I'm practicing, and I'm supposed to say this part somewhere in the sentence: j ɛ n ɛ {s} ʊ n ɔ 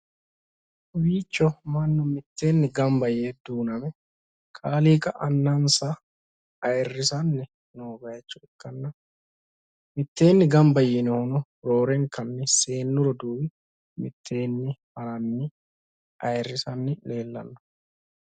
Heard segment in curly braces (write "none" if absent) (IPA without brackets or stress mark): h